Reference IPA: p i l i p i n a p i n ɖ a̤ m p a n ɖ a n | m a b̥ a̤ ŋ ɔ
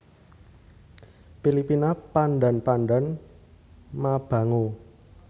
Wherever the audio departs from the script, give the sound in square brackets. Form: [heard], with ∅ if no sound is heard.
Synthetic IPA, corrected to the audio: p i l i p i n a p [a] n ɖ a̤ [n] p a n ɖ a n | m a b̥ a̤ ŋ [o]